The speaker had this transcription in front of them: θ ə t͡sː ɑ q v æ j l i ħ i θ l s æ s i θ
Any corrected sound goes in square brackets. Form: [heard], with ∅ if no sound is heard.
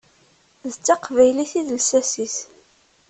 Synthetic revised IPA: [ð] ə t͡sː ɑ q v æ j l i [θ] i [ð] l s æ s i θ